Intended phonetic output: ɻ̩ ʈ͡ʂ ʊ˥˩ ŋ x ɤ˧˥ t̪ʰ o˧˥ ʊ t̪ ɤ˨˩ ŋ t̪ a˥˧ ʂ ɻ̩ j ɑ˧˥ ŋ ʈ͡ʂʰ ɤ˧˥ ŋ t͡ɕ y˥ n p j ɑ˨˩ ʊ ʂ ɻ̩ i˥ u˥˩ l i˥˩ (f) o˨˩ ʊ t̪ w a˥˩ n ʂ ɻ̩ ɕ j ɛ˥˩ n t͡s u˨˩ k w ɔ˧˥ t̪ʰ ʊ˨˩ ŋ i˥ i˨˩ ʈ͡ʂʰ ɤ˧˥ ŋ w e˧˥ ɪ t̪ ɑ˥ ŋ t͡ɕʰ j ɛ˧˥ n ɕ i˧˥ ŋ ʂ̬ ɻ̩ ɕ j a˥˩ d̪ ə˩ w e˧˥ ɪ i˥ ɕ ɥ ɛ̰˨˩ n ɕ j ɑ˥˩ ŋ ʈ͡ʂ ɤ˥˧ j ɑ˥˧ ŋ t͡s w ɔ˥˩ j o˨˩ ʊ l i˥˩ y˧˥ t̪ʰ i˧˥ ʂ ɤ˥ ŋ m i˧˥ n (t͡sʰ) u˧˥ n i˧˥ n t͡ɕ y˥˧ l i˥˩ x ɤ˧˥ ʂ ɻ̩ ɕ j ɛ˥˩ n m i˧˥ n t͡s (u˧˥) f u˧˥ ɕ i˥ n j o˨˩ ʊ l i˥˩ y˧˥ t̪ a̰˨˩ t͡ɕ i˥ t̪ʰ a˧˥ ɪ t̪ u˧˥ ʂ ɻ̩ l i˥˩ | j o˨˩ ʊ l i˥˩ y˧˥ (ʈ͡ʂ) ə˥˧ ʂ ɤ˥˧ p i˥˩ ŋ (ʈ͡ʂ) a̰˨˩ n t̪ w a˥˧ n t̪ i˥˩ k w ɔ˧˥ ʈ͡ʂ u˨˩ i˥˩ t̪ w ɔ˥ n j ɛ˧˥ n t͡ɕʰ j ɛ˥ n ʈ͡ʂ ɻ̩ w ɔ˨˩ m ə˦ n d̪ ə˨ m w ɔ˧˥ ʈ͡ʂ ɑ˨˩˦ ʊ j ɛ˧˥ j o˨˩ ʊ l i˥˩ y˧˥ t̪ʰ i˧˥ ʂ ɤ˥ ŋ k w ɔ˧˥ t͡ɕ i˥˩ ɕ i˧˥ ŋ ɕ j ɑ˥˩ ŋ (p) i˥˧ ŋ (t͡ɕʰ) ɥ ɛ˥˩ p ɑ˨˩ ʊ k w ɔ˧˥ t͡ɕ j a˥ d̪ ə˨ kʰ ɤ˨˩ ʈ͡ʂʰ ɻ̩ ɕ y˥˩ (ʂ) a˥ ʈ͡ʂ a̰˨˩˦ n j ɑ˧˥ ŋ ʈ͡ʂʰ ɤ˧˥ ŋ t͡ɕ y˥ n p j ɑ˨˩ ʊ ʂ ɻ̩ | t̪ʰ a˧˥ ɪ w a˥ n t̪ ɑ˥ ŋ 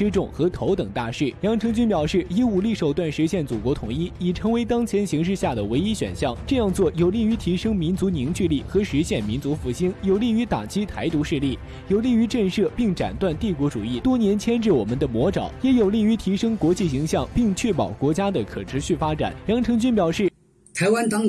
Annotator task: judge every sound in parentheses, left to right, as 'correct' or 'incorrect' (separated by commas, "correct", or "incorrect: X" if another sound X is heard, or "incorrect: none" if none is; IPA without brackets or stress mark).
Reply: incorrect: ʂ, incorrect: t͡s, correct, correct, correct, correct, correct, incorrect: f